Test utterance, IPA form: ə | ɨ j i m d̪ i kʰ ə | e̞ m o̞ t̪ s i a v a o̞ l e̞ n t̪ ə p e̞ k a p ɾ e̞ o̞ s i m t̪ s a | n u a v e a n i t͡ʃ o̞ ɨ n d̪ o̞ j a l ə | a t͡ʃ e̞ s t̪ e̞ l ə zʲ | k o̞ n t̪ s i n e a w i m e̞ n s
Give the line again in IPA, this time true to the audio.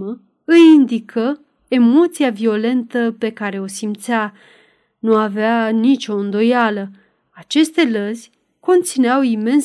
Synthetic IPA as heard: ə | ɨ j i n d̪ i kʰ ə | e̞ m o̞ t̪ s i a v i o̞ l e̞ n t̪ ə p e̞ k a ɾ e̞ o̞ s i m t̪ s a | n u a v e a n i t͡ʃ o̞ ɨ n d̪ o̞ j a l ə | a t͡ʃ e̞ s t̪ e̞ l ə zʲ | k o̞ n t̪ s i n e a w i m e̞ n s